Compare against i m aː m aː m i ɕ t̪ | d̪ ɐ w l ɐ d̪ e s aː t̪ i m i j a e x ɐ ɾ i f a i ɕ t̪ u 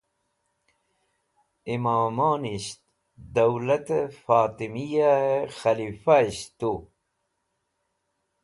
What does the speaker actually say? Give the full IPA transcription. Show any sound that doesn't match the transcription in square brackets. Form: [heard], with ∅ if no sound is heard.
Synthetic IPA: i m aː m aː [n] i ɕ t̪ | d̪ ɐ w l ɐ [t̪] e [f] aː t̪ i m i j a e x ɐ [l] i f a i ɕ t̪ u